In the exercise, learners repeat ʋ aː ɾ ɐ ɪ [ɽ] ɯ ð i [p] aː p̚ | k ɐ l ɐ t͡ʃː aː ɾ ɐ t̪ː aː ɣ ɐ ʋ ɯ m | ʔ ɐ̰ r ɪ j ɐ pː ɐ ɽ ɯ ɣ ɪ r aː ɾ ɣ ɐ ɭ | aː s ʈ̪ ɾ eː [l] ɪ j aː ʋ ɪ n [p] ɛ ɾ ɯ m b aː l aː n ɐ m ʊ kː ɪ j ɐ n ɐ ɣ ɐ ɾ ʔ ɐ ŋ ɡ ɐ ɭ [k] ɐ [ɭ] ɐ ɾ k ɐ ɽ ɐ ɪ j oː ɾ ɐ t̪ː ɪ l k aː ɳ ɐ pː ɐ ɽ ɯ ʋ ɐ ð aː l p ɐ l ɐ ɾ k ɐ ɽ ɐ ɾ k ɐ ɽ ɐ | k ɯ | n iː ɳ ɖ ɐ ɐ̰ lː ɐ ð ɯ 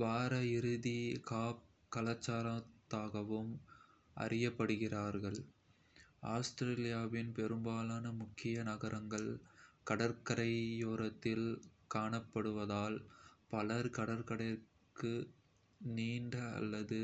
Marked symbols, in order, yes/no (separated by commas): no, no, yes, yes, yes, no